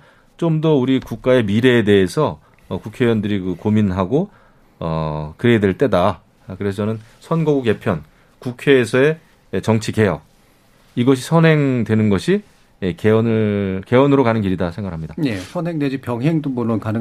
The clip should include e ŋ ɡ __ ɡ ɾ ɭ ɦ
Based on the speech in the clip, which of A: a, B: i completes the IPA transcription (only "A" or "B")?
A